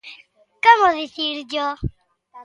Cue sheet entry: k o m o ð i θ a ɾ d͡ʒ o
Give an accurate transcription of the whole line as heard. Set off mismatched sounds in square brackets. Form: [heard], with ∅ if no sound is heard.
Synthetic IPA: k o m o ð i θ [i] ɾ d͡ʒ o